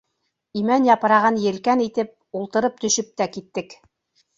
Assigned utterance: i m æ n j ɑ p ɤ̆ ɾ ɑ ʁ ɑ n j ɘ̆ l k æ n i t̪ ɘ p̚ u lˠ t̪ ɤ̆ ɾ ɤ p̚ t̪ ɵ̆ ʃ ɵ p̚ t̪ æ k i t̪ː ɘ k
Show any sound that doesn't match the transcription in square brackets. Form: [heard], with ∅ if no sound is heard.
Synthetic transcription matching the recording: i m æ n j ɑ p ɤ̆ ɾ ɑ ʁ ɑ n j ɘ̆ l k æ n i t̪ ɘ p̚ u lˠ t̪ ɤ̆ ɾ ɤ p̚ t̪ ɵ̆ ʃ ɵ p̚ t̪ æ k i t̪ː ɘ k